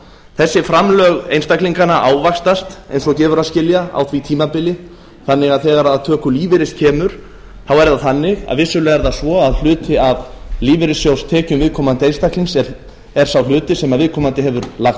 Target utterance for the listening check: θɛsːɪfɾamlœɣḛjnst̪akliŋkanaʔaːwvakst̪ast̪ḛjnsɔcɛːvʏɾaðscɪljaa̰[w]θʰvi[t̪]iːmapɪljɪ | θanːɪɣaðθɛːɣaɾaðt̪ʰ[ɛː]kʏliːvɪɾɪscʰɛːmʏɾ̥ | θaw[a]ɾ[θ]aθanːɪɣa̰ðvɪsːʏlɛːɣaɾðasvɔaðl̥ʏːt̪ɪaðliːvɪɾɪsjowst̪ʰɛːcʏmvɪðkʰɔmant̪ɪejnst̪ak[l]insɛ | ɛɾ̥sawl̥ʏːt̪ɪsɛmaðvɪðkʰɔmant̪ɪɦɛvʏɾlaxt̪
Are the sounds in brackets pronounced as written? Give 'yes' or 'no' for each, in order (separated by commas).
yes, no, no, no, no, yes